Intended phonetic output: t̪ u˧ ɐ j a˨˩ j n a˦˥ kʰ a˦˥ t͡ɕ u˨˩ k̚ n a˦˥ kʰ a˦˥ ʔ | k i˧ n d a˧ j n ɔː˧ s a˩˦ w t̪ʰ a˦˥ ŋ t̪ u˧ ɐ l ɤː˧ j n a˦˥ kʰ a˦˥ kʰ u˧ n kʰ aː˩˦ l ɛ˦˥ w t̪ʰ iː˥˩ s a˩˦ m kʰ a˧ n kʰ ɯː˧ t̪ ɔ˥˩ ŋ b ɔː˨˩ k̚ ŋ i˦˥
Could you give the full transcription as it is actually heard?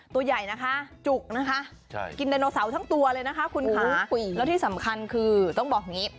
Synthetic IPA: t̪ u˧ ɐ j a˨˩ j n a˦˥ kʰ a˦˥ t͡ɕ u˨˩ k̚ n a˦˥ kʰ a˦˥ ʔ | k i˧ n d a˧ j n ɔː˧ s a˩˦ w t̪ʰ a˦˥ ŋ t̪ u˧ ɐ l ɤː˧ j n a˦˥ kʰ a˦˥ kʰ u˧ n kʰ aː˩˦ l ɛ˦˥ w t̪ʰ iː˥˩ s a˩˦ m kʰ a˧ n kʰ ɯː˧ t̪ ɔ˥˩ ŋ b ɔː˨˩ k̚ ŋ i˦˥